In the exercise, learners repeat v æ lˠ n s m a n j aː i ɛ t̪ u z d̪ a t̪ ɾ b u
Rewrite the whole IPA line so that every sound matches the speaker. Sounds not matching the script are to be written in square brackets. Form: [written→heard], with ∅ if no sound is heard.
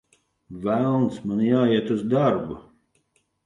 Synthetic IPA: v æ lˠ n s m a n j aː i ɛ t̪ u z d̪ a [t̪→∅] ɾ b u